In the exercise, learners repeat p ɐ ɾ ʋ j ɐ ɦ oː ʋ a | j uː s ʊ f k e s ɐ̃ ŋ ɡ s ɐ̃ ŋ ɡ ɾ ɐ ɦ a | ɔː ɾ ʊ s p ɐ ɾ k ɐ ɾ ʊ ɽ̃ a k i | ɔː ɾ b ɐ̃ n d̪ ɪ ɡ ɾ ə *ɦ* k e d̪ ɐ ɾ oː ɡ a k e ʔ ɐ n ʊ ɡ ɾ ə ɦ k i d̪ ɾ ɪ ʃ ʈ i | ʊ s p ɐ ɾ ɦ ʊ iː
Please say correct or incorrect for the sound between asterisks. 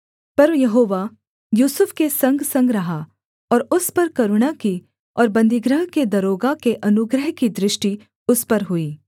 correct